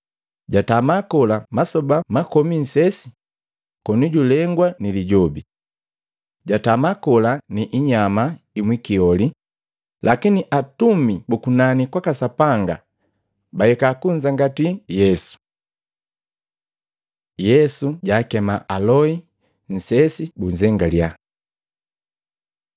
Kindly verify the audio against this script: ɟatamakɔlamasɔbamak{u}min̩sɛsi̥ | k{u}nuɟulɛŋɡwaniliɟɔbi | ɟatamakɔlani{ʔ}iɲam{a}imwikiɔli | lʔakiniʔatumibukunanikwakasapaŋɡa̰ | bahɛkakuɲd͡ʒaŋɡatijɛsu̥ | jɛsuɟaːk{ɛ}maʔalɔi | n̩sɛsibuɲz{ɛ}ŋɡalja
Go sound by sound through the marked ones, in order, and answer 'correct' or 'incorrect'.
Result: incorrect: ɔ, incorrect: ɔ, correct, correct, correct, correct

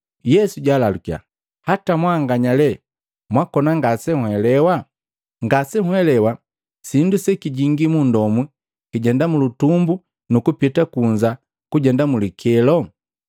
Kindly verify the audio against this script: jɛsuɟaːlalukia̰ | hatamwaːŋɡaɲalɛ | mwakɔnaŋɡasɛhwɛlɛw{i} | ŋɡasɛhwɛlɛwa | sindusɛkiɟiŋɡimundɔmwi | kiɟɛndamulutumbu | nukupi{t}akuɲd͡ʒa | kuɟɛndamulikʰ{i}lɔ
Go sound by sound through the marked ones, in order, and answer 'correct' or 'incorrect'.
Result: incorrect: a, correct, incorrect: ɛ

